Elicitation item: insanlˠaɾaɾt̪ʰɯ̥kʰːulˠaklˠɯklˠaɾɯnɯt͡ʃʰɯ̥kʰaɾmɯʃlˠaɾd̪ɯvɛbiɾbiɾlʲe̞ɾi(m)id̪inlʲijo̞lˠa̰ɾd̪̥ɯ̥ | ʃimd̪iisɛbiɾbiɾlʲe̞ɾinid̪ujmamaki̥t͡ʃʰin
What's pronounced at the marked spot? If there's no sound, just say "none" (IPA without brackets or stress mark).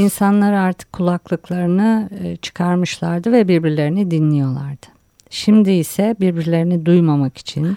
n